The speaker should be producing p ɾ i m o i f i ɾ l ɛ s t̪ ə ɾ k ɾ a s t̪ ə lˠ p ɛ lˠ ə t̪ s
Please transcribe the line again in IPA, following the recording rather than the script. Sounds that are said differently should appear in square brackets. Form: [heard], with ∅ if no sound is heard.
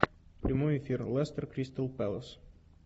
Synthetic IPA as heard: p ɾ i m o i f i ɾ l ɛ s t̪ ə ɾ k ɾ [i] s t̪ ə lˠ p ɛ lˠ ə [∅] s

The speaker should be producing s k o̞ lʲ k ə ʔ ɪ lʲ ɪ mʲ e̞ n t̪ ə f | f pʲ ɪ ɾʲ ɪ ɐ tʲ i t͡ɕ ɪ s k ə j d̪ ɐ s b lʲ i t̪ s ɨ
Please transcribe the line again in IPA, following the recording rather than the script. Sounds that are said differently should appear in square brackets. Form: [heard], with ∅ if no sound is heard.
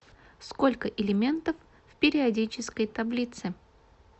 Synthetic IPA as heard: s k o̞ lʲ k ə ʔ ɪ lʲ ɪ mʲ e̞ n t̪ ə f | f pʲ ɪ ɾʲ ɪ ɐ [dʲ] i t͡ɕ ɪ s k ə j [t̪] ɐ [∅] b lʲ i t̪ s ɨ

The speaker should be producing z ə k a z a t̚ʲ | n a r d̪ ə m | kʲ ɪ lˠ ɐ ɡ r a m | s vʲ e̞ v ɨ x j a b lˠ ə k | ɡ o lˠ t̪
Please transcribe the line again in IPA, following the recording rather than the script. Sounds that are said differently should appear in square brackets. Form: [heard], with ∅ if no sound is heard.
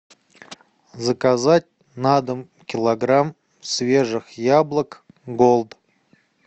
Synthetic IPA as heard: z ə k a z a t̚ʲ | n a [∅] d̪ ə m | kʲ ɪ lˠ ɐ ɡ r a m | s vʲ e̞ [ʐ] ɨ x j a b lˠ ə k | ɡ o lˠ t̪

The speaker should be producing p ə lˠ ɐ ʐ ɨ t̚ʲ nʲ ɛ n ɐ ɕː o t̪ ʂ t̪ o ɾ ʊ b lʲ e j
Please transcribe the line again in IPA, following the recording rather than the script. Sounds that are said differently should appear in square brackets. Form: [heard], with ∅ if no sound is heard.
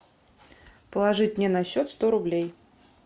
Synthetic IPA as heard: p ə lˠ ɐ ʐ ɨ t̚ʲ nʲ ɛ n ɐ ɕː o t̪ [s] t̪ o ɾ ʊ b lʲ e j

